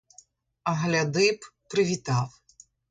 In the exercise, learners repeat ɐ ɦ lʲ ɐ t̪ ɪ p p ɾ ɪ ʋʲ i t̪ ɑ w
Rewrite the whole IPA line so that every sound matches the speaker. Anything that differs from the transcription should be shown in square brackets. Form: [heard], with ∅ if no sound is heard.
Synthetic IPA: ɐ ɦ lʲ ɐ [d̪] ɪ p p ɾ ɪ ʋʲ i t̪ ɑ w